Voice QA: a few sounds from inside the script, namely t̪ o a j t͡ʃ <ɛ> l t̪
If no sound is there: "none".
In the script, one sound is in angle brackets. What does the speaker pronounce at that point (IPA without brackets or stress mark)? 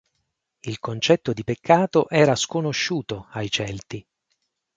ɛ